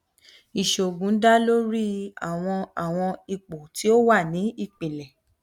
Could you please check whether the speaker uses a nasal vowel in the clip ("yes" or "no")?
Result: yes